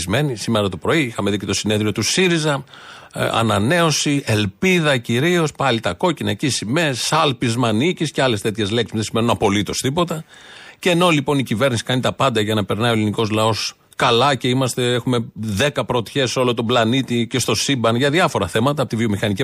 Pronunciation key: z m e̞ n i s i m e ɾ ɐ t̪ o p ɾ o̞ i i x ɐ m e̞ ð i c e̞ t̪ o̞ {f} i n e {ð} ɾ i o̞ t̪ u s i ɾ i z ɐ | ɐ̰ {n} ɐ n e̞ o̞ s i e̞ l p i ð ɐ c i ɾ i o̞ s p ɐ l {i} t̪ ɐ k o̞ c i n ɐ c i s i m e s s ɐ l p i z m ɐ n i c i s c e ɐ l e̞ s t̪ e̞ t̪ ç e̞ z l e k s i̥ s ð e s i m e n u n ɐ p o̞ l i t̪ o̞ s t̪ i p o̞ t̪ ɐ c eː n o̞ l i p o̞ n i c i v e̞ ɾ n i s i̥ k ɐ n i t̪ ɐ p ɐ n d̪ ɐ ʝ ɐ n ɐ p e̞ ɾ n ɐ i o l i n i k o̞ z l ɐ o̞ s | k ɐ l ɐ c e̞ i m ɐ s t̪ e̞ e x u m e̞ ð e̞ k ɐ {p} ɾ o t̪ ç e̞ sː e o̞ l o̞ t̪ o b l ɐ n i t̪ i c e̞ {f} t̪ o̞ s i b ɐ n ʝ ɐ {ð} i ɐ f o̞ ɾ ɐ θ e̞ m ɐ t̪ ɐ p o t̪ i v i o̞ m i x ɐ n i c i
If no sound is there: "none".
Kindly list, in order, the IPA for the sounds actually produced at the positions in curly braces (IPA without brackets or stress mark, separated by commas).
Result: s, ð, n, i, p, s, ð